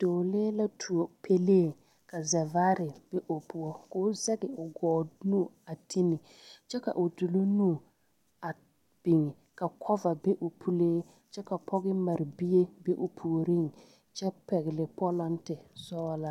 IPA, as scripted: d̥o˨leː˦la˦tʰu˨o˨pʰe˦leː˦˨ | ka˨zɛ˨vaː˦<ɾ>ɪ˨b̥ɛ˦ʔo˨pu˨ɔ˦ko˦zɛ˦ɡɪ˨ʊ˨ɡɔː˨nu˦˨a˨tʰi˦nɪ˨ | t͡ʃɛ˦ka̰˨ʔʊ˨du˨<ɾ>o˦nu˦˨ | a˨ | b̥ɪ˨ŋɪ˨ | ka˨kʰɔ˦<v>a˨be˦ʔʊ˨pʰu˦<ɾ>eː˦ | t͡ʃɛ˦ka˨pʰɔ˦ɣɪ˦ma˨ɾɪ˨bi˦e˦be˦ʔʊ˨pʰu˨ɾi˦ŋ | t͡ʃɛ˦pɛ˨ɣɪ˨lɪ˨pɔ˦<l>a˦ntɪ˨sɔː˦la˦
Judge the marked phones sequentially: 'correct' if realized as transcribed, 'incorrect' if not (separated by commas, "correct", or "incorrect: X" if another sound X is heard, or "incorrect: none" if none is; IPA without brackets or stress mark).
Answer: correct, incorrect: l, correct, incorrect: l, correct